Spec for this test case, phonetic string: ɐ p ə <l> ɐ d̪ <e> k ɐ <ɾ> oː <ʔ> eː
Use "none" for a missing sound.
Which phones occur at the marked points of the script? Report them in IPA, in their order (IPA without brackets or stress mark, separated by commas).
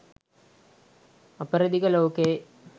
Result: ɾ, i, l, k